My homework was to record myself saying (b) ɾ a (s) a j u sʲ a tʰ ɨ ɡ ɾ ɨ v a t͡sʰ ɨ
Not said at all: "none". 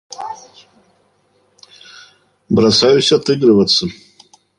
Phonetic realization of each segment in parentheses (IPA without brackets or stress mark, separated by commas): b, s